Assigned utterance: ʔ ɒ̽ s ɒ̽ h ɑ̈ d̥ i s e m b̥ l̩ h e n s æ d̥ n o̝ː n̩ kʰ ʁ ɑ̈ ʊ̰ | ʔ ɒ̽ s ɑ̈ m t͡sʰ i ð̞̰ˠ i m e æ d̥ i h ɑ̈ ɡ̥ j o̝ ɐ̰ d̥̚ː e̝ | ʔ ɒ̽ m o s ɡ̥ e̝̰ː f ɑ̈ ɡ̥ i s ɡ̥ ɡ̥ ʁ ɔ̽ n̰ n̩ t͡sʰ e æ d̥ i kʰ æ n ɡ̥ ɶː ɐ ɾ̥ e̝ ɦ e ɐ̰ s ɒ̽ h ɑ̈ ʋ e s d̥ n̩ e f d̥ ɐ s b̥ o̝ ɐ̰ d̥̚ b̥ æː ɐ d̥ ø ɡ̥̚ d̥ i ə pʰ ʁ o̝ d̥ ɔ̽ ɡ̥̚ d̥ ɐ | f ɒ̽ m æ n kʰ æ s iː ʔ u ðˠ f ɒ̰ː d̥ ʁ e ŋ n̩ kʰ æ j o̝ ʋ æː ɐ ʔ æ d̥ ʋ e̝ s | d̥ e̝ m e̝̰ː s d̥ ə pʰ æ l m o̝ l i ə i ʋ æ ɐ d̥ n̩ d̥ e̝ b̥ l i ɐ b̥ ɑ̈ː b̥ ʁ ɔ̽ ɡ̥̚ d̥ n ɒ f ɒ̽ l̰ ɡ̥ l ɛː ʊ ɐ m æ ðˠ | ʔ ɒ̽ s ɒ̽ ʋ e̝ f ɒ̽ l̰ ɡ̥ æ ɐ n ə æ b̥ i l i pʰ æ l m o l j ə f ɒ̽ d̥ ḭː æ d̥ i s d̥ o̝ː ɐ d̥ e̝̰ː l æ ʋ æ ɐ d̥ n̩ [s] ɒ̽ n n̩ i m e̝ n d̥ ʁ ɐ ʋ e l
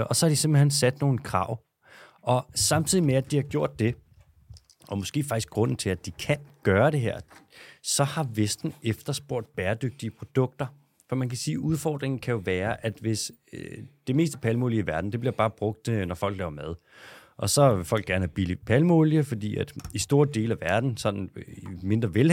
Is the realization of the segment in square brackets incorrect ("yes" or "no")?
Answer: no